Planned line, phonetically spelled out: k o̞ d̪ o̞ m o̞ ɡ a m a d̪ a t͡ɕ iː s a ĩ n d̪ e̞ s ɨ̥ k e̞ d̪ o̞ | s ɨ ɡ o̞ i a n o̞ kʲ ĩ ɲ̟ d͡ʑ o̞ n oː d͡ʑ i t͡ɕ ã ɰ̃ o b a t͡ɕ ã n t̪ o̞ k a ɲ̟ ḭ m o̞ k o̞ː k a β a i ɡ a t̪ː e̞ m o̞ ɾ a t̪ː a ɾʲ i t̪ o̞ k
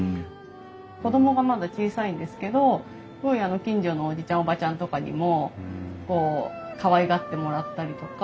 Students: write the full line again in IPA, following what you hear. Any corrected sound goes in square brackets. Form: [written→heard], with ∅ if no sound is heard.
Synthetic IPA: k o̞ d̪ o̞ m o̞ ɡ a m a d̪ a t͡ɕ iː s a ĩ n d̪ e̞ s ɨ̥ k e̞ d̪ o̞ | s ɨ ɡ o̞ i a n o̞ kʲ ĩ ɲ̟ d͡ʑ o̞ n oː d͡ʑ i t͡ɕ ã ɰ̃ o b a t͡ɕ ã n t̪ o̞ k a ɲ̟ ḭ m o̞ k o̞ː k a β a i ɡ a t̪ː e̞ m o̞ ɾ a t̪ː a ɾʲ i t̪ o̞ k